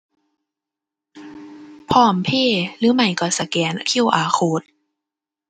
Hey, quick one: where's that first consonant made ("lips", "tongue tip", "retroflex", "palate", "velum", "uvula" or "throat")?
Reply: lips